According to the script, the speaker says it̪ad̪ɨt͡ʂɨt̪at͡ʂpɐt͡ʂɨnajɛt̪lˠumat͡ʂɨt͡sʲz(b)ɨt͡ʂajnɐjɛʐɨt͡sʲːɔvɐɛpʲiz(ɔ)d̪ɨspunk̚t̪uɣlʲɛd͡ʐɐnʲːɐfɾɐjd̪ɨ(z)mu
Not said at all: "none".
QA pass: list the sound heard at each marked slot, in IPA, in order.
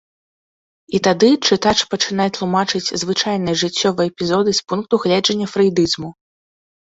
v, ɔ, z

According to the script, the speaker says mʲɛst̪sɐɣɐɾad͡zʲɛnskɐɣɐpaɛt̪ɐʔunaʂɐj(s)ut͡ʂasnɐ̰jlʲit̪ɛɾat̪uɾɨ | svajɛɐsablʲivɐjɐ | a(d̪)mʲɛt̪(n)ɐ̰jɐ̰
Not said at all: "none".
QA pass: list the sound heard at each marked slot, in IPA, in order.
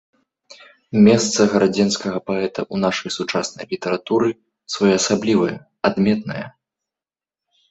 s, d̪, n

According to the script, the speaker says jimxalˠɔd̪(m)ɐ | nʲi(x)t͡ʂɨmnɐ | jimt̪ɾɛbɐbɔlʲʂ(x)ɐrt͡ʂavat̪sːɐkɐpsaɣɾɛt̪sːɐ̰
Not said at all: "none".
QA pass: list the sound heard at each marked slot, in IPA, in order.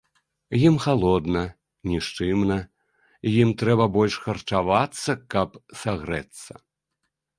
n, ʂ, x

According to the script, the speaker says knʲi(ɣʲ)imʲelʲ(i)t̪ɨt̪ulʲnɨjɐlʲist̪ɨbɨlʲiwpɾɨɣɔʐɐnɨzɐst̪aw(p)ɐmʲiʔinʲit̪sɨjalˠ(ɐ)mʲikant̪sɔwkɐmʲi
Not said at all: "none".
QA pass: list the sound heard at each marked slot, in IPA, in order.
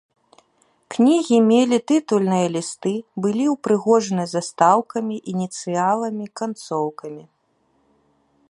ɣʲ, i, k, ɐ

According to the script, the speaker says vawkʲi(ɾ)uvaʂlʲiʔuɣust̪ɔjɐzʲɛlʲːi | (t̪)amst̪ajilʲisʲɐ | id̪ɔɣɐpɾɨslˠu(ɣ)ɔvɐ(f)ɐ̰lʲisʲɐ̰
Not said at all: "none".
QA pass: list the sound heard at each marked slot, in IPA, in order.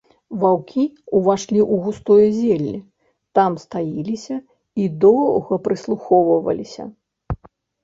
none, t̪, x, v

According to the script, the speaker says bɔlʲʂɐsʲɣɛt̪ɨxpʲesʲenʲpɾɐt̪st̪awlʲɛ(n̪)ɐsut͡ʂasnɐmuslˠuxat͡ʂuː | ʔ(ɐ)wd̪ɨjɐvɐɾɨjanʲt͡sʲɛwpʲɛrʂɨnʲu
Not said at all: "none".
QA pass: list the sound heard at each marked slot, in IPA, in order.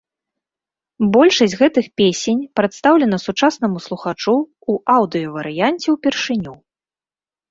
n̪, a

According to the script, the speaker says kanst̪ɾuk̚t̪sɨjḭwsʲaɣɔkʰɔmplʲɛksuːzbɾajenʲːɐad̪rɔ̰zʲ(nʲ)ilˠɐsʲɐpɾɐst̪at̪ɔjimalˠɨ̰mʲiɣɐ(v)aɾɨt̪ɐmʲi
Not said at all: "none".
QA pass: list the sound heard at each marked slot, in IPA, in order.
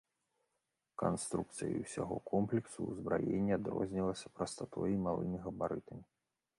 nʲ, b

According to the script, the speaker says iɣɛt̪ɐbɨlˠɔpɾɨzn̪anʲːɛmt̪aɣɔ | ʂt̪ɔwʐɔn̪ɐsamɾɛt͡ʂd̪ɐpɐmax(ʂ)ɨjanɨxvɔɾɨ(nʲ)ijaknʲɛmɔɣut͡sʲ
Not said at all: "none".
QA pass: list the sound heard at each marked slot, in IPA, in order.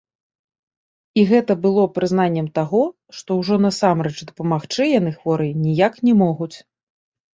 t͡ʂ, nʲ

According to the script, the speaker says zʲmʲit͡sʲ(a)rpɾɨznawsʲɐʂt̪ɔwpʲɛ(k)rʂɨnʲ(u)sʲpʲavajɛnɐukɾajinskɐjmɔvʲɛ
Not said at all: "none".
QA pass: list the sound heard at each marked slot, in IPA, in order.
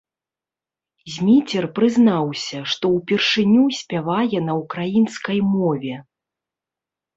ɛ, none, u

